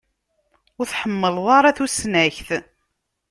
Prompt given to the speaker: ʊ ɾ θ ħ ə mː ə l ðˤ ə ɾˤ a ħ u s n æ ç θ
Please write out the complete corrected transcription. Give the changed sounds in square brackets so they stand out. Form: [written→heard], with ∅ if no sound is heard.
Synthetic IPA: ʊ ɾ θ ħ ə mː ə l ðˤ [ə→ɑ] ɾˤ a [ħ→θ] u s n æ ç θ